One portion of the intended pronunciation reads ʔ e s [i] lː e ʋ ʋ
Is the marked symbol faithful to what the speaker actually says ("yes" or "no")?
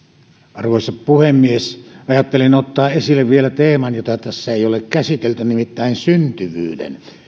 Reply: yes